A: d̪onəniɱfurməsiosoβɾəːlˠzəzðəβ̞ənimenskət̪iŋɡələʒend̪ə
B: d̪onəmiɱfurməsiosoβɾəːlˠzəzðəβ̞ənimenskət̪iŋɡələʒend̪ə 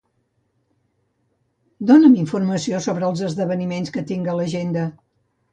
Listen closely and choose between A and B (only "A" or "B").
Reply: B